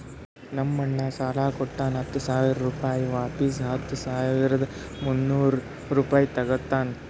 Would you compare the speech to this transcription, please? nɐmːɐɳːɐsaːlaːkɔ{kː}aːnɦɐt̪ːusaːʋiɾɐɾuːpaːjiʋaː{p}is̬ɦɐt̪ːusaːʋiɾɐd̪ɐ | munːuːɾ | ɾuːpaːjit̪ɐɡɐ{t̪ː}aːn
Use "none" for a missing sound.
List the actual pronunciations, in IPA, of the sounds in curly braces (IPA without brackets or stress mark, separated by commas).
ʈː, p, t̪ː